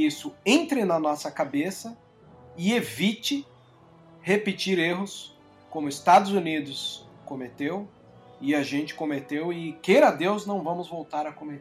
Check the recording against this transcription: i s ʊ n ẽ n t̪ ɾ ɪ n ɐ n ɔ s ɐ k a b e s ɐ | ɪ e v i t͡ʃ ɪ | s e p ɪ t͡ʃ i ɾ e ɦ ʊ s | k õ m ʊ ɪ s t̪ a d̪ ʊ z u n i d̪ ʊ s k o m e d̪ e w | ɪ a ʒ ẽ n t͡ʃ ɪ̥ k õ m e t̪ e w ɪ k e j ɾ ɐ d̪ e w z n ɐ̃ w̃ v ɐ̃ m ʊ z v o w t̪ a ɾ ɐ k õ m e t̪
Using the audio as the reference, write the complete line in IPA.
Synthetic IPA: i s ʊ ẽ n t̪ ɾ ɪ n ɐ n ɔ s ɐ k a b e s ɐ | ɪ e v i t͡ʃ ɪ | h e p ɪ t͡ʃ i ɾ e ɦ ʊ s | k õ m ʊ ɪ s t̪ a d̪ ʊ z u n i d̪ ʊ s k o m e t̪ e w | ɪ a ʒ ẽ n t͡ʃ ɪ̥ k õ m e t̪ e w ɪ k e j ɾ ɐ d̪ e w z n ɐ̃ w̃ v ɐ̃ m ʊ z v o w t̪ a ɾ ɐ k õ m e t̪